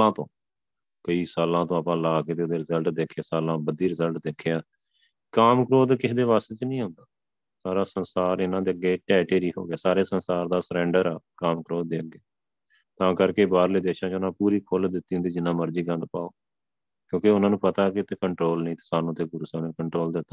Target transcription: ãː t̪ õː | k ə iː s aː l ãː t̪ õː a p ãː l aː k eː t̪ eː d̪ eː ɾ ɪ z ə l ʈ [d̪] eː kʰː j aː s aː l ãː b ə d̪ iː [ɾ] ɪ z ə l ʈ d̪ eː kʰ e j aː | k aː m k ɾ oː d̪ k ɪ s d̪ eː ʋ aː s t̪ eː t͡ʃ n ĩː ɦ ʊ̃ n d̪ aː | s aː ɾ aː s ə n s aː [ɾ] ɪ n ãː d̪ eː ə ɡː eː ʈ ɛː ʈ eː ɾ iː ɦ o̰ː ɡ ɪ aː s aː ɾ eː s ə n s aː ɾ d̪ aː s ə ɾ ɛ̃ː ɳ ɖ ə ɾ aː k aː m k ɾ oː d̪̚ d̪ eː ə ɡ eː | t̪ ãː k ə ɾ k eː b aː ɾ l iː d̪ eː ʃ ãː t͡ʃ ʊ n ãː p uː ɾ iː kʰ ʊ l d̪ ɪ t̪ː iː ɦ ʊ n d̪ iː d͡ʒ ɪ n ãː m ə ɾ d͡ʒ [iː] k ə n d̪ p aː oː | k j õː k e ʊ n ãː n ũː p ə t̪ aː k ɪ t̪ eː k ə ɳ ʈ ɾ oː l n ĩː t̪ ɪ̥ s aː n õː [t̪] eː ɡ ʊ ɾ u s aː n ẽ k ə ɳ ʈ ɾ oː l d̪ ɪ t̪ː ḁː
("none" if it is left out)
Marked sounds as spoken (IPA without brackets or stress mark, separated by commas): d̪, ɾ, ɾ, iː, t̪